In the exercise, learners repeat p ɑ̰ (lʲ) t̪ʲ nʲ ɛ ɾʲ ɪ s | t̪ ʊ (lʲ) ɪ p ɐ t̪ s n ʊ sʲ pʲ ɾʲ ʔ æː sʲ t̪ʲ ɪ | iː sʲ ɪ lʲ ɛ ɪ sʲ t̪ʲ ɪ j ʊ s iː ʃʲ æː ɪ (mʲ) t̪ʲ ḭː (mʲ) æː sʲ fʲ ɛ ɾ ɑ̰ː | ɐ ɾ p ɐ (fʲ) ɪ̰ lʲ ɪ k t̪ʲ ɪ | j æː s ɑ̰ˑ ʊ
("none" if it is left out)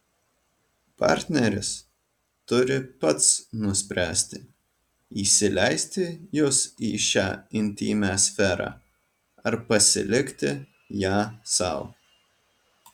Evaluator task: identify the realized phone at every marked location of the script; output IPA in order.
ɾʲ, ɾʲ, nʲ, mʲ, sʲ

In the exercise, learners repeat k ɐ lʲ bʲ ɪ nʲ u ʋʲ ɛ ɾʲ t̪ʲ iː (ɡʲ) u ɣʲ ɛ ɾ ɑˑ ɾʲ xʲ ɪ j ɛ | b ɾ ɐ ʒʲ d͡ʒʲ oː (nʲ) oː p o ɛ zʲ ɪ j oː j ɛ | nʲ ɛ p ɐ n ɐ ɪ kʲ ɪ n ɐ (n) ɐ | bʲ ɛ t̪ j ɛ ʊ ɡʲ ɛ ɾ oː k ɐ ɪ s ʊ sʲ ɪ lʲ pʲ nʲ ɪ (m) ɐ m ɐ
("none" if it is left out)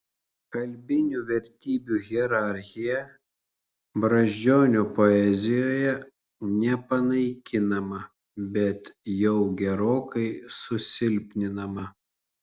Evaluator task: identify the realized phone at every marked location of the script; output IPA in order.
bʲ, nʲ, m, n

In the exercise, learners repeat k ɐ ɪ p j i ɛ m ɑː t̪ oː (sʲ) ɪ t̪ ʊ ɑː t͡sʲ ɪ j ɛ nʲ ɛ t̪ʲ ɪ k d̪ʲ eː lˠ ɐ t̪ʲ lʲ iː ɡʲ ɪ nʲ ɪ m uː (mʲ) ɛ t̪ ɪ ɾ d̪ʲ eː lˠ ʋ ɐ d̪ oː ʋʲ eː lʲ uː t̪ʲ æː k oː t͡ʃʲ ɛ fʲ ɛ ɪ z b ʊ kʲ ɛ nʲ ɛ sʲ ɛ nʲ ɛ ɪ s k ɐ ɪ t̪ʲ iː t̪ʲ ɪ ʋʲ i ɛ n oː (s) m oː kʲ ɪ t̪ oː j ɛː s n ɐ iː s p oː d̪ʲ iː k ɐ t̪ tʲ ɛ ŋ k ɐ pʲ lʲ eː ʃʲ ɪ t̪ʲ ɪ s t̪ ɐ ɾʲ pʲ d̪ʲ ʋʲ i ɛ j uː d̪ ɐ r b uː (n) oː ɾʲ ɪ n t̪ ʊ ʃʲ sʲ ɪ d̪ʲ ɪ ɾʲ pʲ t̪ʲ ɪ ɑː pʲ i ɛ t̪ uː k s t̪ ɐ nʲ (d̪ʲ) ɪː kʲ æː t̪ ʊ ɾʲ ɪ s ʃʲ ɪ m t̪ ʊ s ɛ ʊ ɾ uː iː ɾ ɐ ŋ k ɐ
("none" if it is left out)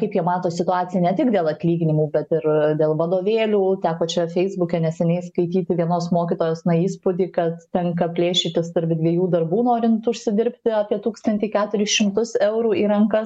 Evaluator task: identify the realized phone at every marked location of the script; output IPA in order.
sʲ, bʲ, s, n, t̪ʲ

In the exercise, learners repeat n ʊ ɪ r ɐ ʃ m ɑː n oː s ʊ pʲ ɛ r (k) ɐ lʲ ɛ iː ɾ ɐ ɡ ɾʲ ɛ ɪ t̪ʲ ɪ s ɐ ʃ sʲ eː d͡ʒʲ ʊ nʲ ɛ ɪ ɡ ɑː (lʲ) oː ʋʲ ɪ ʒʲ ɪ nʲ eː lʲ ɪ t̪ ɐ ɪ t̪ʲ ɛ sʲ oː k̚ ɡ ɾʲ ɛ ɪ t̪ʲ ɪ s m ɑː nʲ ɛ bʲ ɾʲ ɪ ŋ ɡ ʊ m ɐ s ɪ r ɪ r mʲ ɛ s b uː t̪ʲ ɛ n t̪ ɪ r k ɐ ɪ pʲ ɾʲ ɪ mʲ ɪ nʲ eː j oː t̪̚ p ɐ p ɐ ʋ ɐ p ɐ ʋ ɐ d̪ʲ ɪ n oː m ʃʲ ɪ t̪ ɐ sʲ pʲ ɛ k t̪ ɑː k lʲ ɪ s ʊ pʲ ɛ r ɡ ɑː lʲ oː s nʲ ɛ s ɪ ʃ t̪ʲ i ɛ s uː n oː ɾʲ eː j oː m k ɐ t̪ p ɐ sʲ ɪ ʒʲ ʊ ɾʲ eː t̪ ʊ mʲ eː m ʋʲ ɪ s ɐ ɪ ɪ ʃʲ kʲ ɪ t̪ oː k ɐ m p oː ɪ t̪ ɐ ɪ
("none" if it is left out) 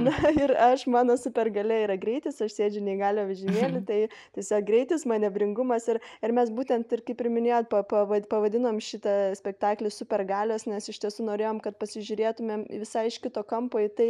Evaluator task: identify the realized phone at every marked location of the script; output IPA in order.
ɡ, lʲ

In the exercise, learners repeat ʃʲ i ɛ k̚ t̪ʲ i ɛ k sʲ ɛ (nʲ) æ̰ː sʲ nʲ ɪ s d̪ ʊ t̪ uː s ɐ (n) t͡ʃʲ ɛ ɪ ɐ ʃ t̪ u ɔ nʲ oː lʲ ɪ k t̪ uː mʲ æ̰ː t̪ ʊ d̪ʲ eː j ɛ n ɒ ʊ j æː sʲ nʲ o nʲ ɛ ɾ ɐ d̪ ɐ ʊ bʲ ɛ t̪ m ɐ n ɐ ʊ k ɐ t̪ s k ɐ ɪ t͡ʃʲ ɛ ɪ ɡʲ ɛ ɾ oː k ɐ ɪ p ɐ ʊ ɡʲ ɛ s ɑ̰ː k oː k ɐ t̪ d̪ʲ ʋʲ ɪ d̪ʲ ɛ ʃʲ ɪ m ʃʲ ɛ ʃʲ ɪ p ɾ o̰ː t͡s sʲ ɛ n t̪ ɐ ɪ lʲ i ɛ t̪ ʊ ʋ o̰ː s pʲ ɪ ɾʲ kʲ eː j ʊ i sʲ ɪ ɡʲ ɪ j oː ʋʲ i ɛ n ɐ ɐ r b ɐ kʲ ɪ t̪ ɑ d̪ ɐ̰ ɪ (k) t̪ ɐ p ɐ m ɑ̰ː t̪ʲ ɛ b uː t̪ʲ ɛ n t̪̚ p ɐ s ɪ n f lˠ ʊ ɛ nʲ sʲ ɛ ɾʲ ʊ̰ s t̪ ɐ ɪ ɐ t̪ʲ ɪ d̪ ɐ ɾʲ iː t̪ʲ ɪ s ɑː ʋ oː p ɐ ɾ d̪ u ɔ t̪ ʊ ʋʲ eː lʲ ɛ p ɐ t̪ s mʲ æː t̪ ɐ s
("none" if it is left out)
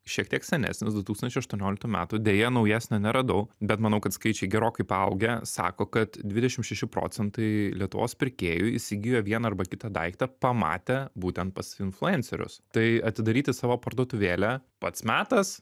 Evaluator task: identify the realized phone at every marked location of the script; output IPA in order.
nʲ, n, k

